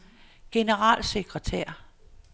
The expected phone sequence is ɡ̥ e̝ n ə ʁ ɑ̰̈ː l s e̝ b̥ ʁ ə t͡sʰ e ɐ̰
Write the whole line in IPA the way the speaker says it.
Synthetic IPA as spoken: ɡ̥ e̝ n ə ʁ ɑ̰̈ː l s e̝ ɡ̥ ʁ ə t͡sʰ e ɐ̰